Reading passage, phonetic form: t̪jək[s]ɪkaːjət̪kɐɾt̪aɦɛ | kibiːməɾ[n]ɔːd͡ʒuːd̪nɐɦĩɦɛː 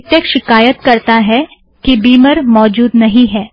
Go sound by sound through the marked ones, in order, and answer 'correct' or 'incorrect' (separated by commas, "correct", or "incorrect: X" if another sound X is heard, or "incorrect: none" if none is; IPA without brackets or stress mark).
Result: incorrect: ʃ, incorrect: m